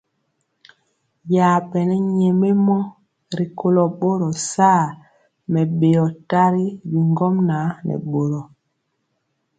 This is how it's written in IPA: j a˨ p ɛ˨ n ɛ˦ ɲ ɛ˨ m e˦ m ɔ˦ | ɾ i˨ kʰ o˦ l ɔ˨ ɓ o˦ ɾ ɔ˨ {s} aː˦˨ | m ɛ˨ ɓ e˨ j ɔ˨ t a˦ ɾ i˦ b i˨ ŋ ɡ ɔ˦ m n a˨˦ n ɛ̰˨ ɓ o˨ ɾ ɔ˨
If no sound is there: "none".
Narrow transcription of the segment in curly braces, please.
s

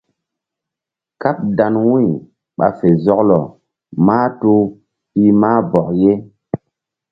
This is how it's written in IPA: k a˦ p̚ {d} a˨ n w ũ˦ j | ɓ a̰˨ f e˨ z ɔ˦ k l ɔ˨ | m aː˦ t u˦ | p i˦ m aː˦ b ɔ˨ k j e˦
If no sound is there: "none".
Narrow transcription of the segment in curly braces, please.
d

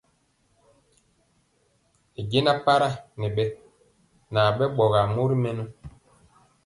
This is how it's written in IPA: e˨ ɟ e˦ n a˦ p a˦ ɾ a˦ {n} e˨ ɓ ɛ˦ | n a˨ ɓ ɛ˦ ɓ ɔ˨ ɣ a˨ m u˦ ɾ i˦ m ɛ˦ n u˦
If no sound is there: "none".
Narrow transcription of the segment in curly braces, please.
n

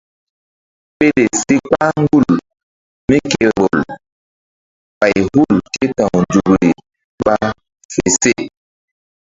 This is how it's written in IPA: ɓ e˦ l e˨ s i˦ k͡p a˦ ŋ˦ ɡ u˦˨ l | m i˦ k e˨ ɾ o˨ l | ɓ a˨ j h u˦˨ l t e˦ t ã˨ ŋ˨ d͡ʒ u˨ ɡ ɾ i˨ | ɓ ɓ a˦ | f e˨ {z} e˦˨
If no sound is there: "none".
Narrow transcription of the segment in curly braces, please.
s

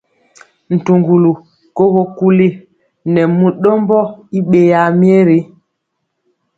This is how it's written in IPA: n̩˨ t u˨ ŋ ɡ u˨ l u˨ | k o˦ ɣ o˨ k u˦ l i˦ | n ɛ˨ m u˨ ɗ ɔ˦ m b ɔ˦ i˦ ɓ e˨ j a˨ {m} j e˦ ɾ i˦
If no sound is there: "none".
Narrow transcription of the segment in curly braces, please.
m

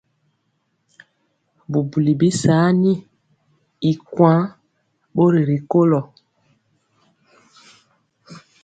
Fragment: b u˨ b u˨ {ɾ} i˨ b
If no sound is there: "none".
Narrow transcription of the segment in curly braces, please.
l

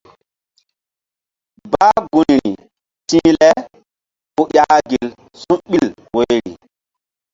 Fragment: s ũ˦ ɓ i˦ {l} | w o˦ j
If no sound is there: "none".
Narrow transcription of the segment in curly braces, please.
l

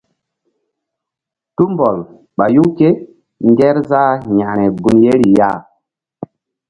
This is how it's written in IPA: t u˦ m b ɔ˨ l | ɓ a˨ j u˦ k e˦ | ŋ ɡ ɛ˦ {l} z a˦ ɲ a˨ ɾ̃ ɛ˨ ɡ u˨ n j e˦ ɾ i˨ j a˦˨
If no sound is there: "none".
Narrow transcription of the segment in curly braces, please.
ɾ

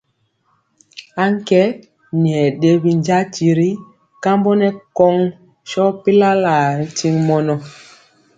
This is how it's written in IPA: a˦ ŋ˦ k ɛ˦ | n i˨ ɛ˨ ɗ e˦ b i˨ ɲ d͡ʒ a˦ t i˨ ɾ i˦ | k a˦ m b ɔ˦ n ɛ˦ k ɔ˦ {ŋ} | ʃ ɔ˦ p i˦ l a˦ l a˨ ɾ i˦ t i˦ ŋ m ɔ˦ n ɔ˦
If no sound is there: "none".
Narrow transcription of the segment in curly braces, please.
ŋ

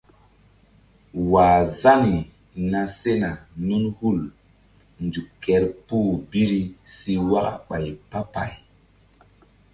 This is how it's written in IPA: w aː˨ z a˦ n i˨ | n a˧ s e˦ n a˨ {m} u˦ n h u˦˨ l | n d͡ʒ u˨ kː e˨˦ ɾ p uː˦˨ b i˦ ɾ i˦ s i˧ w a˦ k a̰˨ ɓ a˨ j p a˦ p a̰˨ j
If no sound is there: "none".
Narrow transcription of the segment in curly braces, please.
n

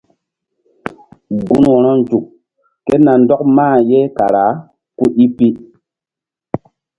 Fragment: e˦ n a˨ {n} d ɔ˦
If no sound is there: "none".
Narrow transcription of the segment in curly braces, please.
n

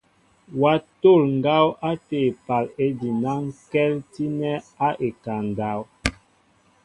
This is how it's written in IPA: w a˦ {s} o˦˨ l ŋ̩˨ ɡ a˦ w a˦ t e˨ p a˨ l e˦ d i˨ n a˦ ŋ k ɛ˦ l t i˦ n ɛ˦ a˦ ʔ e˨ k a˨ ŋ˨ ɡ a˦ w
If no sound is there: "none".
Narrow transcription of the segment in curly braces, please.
t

